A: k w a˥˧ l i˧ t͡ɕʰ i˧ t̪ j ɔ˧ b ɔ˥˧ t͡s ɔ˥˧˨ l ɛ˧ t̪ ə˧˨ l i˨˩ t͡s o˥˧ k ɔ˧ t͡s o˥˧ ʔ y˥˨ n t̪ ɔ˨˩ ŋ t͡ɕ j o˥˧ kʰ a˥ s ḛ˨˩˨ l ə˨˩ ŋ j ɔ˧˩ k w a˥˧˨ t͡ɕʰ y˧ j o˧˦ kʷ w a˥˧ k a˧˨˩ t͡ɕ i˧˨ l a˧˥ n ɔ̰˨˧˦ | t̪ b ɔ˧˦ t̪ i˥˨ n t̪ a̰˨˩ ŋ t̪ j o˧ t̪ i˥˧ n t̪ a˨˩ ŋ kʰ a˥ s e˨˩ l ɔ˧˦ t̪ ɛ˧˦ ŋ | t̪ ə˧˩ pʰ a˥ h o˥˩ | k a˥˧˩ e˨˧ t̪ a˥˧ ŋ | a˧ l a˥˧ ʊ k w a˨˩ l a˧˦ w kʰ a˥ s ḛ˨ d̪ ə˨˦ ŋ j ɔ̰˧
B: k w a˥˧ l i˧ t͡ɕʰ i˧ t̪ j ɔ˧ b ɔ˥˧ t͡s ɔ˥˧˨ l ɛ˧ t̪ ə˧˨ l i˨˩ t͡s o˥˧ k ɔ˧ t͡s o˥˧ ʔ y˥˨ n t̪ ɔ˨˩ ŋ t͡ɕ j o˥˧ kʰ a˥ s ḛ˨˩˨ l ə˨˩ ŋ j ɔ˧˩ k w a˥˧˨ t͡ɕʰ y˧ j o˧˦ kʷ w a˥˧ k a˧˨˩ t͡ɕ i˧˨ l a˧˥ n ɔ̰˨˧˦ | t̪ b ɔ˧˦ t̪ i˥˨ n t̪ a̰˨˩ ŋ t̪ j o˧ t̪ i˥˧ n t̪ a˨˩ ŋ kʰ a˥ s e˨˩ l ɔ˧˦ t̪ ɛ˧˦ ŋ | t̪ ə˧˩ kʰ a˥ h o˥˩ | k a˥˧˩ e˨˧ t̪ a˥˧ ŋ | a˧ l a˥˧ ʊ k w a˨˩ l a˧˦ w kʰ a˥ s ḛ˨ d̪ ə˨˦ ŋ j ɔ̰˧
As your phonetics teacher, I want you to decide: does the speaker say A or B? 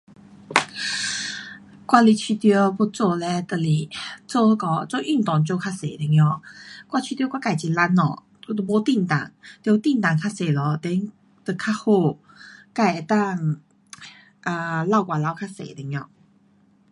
B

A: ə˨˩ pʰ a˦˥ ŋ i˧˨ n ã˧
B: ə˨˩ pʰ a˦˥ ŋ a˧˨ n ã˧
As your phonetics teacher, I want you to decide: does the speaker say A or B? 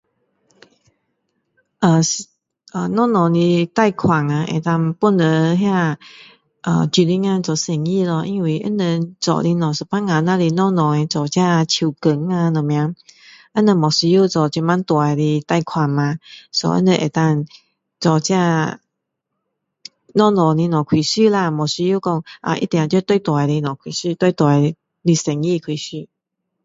B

